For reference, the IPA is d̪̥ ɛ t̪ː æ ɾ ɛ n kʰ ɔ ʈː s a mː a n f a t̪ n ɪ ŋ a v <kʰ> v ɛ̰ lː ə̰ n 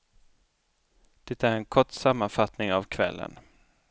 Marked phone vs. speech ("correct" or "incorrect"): correct